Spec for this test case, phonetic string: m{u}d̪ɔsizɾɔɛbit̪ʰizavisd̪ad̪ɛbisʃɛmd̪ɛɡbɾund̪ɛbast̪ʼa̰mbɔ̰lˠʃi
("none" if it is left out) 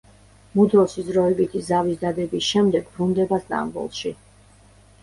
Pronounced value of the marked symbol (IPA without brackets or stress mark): u